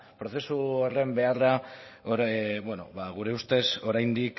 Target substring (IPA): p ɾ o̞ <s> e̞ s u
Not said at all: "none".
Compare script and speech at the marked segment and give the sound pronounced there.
θ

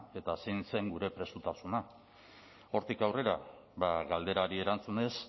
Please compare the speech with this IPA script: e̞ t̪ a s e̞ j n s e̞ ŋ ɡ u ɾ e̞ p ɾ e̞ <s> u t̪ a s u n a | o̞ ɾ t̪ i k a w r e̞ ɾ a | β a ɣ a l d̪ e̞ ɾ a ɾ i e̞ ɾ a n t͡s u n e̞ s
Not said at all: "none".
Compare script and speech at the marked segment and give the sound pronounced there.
s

